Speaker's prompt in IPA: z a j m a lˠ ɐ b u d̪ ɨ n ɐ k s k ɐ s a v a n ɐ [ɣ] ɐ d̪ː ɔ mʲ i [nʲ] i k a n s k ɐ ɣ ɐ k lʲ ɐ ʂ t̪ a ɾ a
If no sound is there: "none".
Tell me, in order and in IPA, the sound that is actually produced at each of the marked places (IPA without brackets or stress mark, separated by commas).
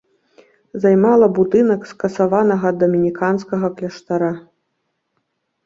ɣ, nʲ